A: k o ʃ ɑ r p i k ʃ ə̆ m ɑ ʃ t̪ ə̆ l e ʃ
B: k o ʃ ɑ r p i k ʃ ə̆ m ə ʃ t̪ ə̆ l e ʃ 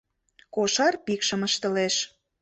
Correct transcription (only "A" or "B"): B